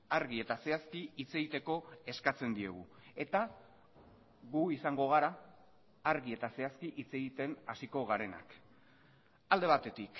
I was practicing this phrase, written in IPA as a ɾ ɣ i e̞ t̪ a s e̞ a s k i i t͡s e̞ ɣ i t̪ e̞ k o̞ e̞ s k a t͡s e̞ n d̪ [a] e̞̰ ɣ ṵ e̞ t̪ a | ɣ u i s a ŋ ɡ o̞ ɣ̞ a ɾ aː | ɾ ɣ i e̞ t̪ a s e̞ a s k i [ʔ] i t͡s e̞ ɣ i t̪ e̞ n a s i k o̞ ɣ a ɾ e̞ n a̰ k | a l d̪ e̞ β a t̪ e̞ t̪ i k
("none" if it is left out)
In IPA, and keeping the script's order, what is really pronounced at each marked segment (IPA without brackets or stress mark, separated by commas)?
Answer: i, ʔ